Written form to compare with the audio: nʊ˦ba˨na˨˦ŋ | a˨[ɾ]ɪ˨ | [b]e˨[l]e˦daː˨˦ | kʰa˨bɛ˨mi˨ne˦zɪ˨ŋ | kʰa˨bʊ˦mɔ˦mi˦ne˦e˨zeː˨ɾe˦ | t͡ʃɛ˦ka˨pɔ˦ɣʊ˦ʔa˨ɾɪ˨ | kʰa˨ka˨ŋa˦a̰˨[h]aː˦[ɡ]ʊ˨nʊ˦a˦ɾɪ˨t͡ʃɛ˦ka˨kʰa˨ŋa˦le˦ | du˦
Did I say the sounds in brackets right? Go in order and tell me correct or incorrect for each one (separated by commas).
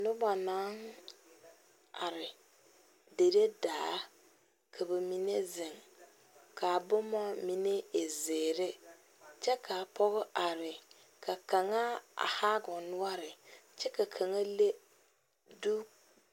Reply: correct, incorrect, incorrect, correct, correct